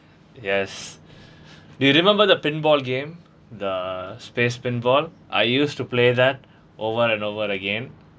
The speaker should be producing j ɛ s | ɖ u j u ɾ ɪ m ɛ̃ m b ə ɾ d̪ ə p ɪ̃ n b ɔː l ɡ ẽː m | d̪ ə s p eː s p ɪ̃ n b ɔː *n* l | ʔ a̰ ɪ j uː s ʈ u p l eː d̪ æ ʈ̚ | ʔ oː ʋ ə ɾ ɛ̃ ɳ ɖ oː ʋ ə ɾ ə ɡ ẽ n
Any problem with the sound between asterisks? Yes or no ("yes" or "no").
yes